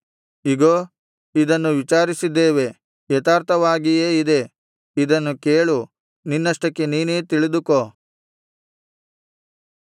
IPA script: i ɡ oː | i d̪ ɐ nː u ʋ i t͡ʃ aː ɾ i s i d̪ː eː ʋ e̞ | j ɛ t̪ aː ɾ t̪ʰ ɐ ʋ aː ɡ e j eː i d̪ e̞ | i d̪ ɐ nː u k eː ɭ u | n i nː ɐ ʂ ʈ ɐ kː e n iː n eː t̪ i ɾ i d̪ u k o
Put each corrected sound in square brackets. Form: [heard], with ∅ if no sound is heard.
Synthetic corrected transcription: i ɡ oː | i d̪ ɐ nː u ʋ i t͡ʃ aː ɾ i s i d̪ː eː ʋ e̞ | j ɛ t̪ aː ɾ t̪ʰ ɐ ʋ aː ɡ [i] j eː i d̪ e̞ | i d̪ ɐ nː u k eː ɭ u | n i nː ɐ ʂ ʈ ɐ kː e n iː n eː t̪ i [ɭ] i d̪ u k o